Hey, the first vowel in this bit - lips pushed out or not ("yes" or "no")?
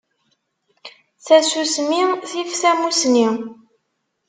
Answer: no